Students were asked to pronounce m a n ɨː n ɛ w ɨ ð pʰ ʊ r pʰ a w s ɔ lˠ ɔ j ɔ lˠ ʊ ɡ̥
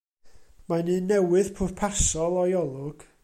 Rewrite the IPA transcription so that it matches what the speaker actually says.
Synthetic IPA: m a n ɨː n ɛ w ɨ ð pʰ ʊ r pʰ a s ɔ lˠ ɔ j ɔ lˠ ʊ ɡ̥